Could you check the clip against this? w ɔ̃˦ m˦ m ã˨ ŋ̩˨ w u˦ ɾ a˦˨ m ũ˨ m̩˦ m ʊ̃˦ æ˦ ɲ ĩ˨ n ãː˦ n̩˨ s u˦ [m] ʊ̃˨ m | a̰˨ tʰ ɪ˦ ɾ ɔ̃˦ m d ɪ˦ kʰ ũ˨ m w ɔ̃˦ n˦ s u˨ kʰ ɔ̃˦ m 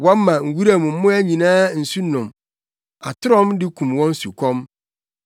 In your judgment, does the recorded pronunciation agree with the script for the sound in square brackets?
no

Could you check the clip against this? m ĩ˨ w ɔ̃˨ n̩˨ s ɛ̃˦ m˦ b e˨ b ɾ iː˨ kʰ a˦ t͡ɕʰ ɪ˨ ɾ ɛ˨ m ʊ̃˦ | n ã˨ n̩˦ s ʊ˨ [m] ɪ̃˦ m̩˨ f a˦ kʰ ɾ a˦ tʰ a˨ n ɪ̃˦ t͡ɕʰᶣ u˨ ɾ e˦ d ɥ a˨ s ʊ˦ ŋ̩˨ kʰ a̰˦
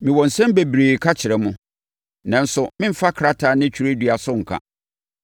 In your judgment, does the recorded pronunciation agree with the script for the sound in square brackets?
yes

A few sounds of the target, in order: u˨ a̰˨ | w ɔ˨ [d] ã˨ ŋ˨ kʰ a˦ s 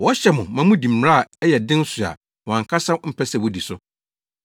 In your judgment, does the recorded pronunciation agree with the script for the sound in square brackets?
no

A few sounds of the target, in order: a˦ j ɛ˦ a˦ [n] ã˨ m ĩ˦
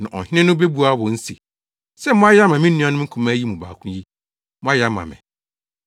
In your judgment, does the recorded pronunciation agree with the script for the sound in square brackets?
no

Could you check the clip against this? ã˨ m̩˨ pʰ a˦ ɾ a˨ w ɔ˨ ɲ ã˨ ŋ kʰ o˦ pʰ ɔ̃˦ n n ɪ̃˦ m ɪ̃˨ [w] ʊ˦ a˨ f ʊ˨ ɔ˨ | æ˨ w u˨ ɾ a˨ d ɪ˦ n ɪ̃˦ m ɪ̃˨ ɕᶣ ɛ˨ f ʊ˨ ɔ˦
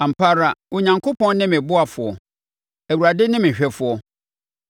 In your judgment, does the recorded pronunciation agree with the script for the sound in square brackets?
no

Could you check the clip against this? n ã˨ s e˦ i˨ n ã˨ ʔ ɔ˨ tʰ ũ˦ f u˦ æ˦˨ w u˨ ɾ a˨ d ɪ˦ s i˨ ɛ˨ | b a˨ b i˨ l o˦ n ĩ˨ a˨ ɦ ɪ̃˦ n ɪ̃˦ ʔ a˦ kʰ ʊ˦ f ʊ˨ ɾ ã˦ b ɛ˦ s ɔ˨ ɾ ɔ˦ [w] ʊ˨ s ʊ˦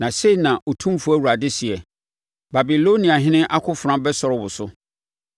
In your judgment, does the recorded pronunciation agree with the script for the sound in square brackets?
yes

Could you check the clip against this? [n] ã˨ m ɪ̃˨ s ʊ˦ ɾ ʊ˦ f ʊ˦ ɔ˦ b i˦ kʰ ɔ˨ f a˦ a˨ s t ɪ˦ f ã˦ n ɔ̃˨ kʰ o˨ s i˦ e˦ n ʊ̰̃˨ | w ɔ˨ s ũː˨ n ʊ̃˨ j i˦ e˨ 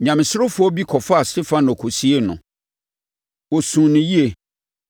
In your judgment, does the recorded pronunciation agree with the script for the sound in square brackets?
no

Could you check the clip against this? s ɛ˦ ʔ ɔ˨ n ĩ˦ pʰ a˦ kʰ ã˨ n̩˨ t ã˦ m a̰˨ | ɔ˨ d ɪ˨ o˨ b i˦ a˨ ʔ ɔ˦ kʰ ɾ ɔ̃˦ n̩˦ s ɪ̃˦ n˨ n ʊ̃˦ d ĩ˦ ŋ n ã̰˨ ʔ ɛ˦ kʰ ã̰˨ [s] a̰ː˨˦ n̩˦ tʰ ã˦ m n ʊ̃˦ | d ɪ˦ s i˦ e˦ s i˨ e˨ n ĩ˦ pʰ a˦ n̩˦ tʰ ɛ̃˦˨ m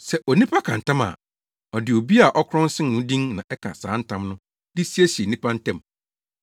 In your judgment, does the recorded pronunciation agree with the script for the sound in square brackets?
yes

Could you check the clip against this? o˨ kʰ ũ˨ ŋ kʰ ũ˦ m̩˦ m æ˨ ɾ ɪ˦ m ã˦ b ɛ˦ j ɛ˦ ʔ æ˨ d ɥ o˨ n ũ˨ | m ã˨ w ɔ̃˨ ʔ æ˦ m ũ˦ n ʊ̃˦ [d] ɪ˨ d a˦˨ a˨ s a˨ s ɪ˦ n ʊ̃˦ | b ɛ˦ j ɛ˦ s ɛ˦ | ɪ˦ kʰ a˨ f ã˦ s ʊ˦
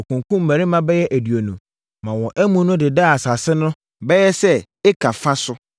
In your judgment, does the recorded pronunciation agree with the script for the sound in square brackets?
yes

